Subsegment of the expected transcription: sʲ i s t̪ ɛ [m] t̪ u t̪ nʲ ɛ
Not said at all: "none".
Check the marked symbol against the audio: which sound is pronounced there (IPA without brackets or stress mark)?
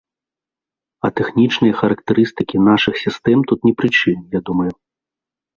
m